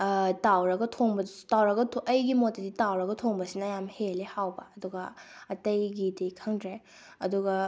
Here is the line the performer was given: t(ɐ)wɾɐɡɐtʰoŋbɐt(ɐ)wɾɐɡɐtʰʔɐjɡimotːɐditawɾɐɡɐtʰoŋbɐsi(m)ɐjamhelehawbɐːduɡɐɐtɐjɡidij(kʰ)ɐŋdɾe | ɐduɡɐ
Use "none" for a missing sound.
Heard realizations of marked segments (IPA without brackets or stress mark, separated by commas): a, a, n, kʰ